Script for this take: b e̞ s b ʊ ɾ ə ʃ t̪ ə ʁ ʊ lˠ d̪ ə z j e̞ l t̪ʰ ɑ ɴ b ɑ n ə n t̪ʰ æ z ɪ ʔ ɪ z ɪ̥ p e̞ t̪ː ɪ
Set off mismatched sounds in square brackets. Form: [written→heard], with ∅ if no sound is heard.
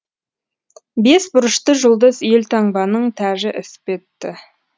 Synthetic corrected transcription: b e̞ s b ʊ ɾ ə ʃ t̪ ə [ʁ→ʒ] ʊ lˠ d̪ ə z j e̞ l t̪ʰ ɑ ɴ b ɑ n ə [n→ɴ] t̪ʰ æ [z→ʒ] ɪ ʔ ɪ [z→s] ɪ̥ p e̞ t̪ː ɪ

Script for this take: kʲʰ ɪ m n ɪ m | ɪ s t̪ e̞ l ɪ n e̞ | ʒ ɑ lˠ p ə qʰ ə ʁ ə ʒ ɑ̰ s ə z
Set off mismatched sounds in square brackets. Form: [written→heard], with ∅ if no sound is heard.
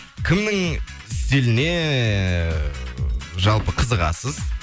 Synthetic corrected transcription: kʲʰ ɪ m n ɪ [m→ŋ] | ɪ s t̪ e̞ l ɪ n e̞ | ʒ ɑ lˠ p ə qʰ ə [ʁ→z] ə [ʒ→ʁ] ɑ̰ s ə z

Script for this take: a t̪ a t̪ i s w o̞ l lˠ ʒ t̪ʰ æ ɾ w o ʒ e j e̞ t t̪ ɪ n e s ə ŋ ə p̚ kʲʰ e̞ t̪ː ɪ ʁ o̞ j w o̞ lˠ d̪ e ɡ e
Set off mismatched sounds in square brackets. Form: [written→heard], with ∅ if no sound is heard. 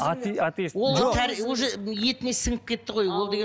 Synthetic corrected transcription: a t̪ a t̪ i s w o̞ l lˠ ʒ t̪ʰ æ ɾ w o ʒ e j e̞ t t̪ ɪ n e s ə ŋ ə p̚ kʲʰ e̞ t̪ː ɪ ʁ o̞ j w o̞ lˠ d̪ e ɡ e

